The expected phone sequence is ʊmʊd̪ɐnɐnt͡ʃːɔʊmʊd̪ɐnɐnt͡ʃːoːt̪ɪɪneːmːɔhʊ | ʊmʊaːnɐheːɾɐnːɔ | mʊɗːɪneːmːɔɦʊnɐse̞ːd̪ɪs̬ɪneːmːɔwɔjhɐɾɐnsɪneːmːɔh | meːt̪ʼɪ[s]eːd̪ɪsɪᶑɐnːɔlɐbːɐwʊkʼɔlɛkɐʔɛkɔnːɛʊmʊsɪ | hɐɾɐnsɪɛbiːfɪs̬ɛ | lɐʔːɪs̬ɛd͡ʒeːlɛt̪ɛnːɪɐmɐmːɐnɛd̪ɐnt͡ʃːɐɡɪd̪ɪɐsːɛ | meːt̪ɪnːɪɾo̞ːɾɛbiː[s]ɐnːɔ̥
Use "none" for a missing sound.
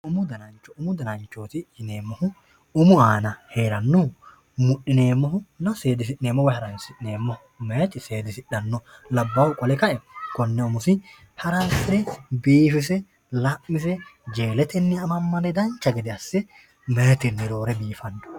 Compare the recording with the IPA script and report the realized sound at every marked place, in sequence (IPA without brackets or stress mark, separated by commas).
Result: s, f